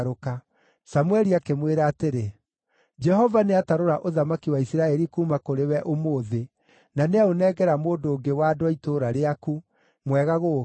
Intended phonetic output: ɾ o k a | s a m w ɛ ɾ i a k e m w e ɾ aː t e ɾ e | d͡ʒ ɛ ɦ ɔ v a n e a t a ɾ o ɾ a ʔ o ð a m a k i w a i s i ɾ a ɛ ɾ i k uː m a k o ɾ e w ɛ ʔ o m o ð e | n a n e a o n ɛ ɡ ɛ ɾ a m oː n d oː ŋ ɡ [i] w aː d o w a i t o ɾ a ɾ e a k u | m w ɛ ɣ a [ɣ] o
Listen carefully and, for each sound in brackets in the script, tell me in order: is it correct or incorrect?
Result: incorrect: e, correct

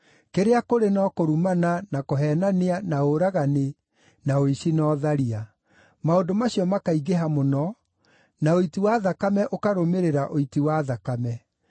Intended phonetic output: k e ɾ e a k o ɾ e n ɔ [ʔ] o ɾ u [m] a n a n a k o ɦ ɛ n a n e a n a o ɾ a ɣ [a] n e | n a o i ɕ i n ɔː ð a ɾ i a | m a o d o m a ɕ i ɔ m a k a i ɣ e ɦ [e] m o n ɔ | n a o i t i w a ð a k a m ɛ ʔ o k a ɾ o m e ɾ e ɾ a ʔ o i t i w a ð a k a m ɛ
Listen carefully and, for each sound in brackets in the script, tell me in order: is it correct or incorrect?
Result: incorrect: k, correct, correct, incorrect: a

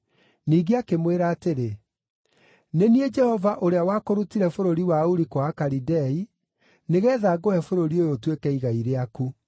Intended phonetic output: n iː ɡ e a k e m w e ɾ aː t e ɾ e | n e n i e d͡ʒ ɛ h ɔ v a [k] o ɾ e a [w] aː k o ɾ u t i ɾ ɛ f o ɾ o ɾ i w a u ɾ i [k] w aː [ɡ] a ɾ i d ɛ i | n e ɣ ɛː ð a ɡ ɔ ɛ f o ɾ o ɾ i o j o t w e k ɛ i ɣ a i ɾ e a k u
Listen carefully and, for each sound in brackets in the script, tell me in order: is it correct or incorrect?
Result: incorrect: ʔ, correct, correct, incorrect: k

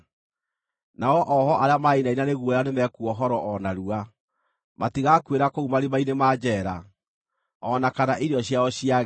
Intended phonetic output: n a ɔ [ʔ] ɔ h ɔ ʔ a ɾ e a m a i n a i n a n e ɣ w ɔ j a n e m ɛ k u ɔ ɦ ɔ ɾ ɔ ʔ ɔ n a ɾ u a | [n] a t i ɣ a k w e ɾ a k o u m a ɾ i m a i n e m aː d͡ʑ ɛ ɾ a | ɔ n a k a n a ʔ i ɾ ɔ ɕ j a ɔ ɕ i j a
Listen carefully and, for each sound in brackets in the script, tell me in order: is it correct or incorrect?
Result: correct, incorrect: m

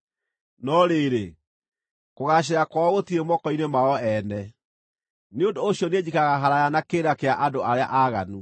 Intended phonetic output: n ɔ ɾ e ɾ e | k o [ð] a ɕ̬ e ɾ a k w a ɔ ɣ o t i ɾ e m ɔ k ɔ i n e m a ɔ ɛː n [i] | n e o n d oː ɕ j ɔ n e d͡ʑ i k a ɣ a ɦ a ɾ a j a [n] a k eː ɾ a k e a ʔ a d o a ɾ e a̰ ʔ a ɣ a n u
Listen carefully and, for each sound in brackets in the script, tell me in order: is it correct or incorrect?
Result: incorrect: ɣ, incorrect: ɛ, correct

